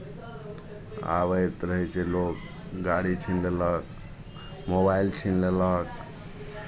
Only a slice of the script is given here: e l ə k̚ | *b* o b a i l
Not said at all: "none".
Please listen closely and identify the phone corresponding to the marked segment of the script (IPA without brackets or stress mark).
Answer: m